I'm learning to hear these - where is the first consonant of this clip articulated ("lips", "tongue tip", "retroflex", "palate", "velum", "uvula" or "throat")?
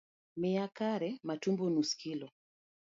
lips